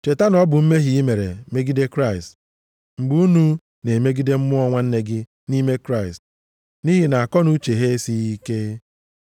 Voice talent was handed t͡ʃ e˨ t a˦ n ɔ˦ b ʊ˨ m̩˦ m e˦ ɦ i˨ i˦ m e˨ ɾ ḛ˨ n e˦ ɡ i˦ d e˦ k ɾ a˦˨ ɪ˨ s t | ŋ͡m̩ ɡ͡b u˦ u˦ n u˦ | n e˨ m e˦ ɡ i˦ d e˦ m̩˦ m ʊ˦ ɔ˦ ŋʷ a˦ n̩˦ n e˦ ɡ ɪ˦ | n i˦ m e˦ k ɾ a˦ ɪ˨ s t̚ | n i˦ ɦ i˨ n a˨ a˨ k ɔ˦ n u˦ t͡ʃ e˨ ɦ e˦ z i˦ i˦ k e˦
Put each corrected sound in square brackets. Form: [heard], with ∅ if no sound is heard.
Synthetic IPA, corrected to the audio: t͡ʃ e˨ t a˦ n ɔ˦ b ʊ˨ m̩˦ m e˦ ɦ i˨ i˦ m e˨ ɾ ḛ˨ [m] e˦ ɡ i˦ d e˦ k ɾ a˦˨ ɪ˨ s t | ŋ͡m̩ ɡ͡b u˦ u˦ n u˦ | n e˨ m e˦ ɡ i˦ d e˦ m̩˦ m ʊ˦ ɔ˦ ŋʷ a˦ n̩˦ n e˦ ɡ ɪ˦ | n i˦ m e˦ k ɾ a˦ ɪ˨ s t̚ | n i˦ ɦ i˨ n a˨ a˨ k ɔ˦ n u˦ t͡ʃ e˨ ɦ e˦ [s] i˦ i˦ k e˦